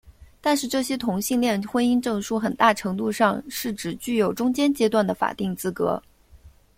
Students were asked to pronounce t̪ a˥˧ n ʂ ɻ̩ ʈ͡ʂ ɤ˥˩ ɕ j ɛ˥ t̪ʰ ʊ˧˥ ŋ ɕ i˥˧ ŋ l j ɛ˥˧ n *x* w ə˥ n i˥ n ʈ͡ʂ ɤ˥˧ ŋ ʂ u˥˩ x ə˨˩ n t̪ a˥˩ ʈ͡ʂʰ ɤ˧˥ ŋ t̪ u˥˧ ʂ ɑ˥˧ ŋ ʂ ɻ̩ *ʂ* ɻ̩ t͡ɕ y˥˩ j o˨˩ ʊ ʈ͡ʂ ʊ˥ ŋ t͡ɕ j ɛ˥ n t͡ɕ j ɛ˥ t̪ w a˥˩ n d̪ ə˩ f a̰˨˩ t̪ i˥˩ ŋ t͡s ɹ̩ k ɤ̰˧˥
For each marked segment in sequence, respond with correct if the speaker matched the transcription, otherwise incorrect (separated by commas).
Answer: correct, incorrect